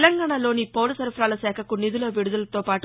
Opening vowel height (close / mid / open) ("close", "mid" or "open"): open